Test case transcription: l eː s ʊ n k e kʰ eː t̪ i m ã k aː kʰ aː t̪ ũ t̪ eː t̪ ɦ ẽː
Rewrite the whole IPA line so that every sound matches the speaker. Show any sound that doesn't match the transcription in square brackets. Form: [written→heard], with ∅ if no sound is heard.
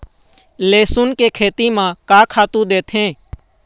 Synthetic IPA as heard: l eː s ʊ n k e kʰ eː t̪ i m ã k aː kʰ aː t̪ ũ [t̪→d̪] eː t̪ ɦ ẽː